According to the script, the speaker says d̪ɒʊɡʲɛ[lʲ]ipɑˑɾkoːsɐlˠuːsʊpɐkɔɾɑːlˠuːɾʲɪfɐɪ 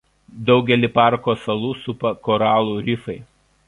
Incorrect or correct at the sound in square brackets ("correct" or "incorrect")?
correct